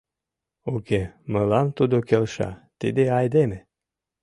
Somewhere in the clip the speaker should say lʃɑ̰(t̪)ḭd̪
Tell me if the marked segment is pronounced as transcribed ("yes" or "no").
yes